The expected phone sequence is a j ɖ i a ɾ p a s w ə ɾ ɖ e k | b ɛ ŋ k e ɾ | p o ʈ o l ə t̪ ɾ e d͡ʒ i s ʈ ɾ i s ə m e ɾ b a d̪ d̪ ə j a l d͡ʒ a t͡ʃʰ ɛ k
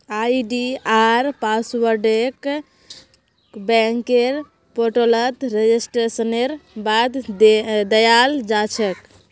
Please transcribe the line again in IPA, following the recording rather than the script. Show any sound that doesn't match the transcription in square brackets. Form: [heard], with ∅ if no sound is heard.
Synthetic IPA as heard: a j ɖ i a ɾ p a s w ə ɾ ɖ e k | b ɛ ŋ k e ɾ | p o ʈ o l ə t̪ ɾ e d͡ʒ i s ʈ ɾ [e] s ə [n] e ɾ b a d̪ d̪ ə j a l d͡ʒ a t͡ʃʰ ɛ k